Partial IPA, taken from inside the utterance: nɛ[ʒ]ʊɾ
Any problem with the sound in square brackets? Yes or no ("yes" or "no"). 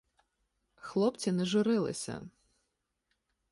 no